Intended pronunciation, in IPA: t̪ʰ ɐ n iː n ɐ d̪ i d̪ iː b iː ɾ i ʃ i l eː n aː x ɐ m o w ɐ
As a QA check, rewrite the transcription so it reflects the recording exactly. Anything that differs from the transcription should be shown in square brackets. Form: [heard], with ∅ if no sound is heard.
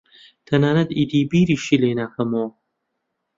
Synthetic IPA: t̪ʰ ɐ n [aː] n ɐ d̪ i d̪ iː b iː ɾ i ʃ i l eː n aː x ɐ m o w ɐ